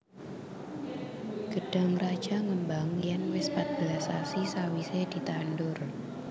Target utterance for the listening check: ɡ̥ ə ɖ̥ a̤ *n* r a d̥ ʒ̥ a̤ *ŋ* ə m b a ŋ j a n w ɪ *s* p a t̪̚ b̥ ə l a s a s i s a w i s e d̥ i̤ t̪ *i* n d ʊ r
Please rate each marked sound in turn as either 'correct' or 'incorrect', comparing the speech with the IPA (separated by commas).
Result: incorrect, correct, correct, incorrect